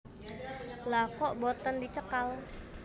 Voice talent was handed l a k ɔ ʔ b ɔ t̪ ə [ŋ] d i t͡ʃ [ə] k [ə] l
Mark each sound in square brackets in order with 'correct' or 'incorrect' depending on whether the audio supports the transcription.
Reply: incorrect: n, correct, incorrect: a

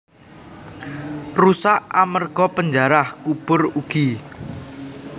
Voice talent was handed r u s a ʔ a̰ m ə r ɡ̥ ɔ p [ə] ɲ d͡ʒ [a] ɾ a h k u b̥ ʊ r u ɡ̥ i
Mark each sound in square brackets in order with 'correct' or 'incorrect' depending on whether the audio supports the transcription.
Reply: correct, correct

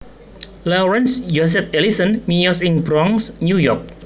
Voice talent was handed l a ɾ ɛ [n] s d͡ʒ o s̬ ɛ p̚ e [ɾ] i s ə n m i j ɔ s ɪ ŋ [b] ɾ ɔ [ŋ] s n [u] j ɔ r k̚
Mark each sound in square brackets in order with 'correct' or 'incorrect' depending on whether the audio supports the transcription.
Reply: correct, incorrect: l, correct, correct, correct

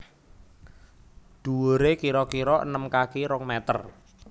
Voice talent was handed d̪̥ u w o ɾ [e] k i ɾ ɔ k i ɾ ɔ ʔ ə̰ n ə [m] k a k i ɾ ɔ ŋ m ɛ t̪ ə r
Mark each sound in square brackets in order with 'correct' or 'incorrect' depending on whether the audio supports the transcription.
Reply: correct, correct

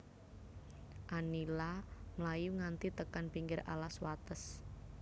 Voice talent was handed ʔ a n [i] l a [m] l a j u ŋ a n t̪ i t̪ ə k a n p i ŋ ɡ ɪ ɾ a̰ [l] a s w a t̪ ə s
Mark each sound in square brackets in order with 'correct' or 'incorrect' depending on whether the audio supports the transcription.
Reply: correct, correct, correct

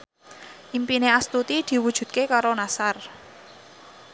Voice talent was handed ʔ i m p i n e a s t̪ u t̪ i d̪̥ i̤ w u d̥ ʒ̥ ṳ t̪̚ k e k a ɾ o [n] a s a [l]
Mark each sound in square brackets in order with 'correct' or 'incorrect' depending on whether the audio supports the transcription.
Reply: correct, incorrect: r

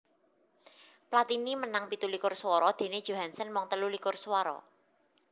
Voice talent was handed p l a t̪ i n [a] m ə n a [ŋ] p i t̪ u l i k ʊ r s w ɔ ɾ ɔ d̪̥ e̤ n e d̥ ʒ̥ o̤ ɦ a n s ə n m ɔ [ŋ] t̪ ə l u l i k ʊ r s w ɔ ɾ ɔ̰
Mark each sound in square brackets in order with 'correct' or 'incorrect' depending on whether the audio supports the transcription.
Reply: incorrect: i, correct, correct

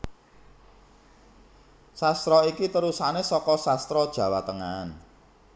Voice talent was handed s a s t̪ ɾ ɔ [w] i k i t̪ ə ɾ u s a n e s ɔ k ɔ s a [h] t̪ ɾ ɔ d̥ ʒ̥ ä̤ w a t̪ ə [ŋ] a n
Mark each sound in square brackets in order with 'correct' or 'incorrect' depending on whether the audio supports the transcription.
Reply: incorrect: none, incorrect: s, correct

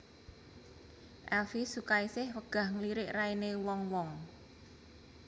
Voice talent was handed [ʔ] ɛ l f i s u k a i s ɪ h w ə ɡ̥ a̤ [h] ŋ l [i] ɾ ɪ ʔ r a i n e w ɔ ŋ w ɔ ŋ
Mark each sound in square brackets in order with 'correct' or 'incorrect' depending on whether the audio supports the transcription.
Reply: correct, correct, correct

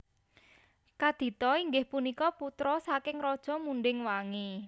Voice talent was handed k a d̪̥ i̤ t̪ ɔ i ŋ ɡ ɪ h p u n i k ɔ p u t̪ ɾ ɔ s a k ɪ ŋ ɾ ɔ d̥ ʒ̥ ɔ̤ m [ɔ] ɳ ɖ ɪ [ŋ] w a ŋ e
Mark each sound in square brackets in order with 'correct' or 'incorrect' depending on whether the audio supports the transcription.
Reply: incorrect: u, correct

